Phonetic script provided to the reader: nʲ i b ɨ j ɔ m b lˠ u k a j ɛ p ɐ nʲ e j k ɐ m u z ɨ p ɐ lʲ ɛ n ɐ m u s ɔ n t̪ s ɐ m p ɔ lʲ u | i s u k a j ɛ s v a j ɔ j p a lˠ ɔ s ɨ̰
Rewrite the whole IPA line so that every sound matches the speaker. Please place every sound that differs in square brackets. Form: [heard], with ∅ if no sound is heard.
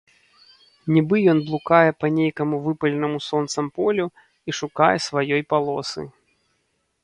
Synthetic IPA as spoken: nʲ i b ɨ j ɔ [n] b lˠ u k a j ɛ p ɐ nʲ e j k ɐ m u [v] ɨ p ɐ lʲ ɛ n ɐ m u s ɔ n t̪ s ɐ m p ɔ lʲ u | i [ʂ] u k a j ɛ s v a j ɔ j p a lˠ ɔ s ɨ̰